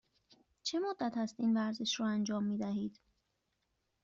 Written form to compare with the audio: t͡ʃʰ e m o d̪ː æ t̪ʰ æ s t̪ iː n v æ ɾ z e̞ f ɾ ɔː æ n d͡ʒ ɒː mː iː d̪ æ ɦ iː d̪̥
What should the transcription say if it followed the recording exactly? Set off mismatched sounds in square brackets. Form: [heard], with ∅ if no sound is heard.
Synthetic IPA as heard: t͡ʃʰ e m o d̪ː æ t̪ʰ æ s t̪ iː n v æ ɾ z e̞ [ʃ] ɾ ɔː æ n d͡ʒ ɒː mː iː d̪ æ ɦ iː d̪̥